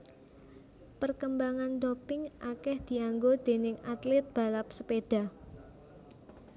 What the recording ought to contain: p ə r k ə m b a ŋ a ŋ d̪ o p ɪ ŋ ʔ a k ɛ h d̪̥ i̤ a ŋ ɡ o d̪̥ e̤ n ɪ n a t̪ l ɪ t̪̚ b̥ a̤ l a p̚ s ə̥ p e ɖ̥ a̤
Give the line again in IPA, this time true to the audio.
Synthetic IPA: p ə r k ə m b a ŋ a n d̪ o p ɪ ŋ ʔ a k ɛ h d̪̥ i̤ a ŋ ɡ o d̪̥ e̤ n ɪ ŋ a t̪ l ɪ t̪̚ b̥ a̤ l a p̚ s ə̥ p e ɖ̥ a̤